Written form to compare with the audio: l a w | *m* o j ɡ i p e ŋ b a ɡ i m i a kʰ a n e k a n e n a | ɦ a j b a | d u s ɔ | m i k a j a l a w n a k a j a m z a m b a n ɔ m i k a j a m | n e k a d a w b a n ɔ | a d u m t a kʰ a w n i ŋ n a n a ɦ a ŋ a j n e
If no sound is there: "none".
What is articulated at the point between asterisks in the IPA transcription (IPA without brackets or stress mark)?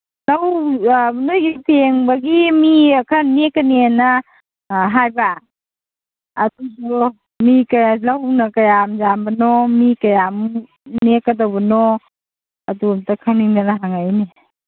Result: n